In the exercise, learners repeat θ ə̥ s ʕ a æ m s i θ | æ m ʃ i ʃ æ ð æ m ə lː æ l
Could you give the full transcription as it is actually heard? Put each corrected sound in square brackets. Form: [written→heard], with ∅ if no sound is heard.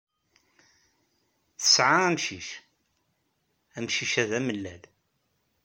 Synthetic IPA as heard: θ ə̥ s ʕ a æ m [s→ʃ] i [θ→ʃ] | æ m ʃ i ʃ æ ð æ m ə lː æ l